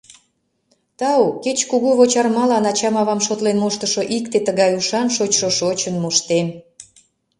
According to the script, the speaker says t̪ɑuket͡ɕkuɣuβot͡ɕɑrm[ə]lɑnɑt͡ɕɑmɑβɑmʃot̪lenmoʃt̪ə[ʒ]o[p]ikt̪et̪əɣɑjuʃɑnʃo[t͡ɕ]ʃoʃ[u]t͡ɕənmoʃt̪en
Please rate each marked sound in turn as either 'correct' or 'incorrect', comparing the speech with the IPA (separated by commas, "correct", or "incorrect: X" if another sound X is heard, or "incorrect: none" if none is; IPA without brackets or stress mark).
incorrect: ɑ, incorrect: ʃ, incorrect: ʔ, correct, incorrect: o